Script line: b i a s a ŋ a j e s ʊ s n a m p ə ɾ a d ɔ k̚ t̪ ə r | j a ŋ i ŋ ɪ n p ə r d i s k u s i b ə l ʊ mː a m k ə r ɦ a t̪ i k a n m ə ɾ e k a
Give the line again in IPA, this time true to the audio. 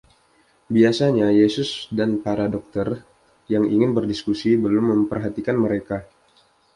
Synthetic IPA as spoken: b i a s a ɲ a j e s ʊ s d a n p a ɾ a d ɔ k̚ t̪ ə r | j a ŋ i ŋ ɪ n b ə r d i s k u s i b ə l ʊ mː ə m p ə r ɦ a t̪ i k a n m ə ɾ e k a